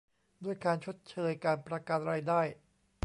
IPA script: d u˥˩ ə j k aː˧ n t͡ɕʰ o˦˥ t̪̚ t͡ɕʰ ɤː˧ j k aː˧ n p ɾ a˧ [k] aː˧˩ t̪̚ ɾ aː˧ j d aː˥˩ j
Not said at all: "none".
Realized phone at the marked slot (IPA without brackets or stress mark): k